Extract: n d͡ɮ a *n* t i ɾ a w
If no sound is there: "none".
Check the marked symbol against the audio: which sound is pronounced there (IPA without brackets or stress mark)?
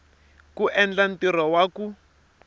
n